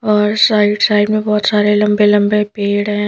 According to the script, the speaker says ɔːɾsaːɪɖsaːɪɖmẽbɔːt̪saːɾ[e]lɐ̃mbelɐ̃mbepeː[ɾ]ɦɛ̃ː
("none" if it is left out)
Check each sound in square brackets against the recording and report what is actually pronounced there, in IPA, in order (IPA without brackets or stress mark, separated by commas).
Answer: e, ɽ